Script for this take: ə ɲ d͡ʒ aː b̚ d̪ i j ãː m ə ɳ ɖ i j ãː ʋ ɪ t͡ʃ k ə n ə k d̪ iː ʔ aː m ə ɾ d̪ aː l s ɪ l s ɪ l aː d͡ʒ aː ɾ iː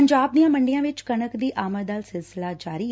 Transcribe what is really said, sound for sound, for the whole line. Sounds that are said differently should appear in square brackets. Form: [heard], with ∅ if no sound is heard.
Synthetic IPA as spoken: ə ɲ d͡ʒ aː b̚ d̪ i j ãː m ə ɳ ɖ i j ãː ʋ ɪ t͡ʃ k ə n ə k d̪ iː ʔ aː m ə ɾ d̪ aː l s ɪ l s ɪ l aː d͡ʒ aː ɾ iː